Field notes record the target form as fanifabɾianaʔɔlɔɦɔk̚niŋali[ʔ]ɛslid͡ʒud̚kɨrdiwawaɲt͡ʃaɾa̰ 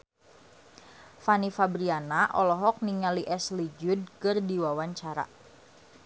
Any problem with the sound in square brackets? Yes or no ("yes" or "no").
no